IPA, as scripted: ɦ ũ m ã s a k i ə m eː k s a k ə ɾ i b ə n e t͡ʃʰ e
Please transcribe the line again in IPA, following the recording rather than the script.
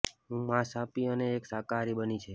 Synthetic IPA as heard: ɦ ũ m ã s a p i ə n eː k s a k a ɾ i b ə n i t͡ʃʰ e

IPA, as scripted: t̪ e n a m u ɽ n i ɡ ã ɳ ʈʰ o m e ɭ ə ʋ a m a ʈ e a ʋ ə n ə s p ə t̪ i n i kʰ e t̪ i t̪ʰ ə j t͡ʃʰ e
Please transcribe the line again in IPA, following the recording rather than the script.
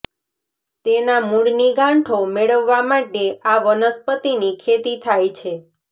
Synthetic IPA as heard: t̪ e n a m u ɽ n i ɡ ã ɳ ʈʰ o m e ɭ ə ʋː a m a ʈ e a ʋ ə n ə s p ə t̪ i n i kʰ e t̪ i t̪ʰ a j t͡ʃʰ e

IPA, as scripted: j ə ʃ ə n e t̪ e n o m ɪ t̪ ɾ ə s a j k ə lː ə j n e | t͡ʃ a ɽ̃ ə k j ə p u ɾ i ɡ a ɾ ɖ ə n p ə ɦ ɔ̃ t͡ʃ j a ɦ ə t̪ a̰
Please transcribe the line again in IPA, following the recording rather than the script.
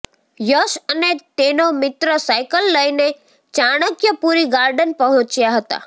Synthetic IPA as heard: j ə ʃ ə n e t̪ e n o m ɪ t̪ ɾ ə s a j k ə lː ə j n e | t͡ʃ a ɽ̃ ə k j ə p u ɾ i ɡ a ɾ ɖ ə n p ə ɦ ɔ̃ t͡ʃ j a ɦ ə t̪ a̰

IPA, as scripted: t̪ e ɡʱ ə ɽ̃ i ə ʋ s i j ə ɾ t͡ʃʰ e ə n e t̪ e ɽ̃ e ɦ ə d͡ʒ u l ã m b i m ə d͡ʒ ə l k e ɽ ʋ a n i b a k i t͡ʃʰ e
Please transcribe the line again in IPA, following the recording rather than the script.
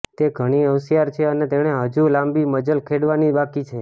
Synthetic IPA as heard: t̪ e ɡʱ ə ɽ̃ i ə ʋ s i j a ɾ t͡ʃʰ e ə n e t̪ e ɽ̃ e ɦ ə d͡ʒ u l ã m b i m ə d͡ʒ ə l kʰ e ɽ ʋ a n i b a k i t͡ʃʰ e

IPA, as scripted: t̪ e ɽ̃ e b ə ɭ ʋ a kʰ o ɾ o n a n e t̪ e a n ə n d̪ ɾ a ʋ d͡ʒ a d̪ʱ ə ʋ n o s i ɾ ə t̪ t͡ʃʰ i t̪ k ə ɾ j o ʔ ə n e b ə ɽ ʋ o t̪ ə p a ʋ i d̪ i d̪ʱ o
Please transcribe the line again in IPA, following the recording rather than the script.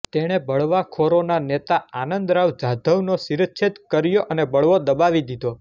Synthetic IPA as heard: t̪ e ɽ̃ e b ə ɭ ʋ a kʰ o ɾ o n a n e t̪ a a n ə n d̪ ɾ a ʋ d͡ʒ a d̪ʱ ə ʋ n o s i ɾ ə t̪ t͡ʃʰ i t̪ k ə ɾ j o ʔ ə n e b ə ɭ ʋ o d̪ ə b a ʋ i d̪ i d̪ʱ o

